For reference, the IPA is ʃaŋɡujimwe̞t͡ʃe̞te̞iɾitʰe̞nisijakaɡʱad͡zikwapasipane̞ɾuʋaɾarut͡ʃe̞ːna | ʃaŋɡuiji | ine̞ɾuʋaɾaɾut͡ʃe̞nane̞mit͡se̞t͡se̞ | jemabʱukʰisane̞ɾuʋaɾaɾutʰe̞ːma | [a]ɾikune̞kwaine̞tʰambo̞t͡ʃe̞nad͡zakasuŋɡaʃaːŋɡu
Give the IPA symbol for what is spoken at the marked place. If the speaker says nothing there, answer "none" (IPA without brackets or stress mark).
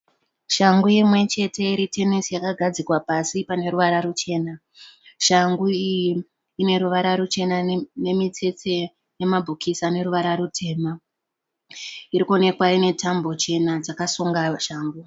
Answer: i